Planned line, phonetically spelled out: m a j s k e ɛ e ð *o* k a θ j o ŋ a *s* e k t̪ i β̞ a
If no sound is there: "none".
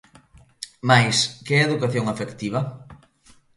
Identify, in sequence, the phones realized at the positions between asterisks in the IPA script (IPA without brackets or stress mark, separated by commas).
u, f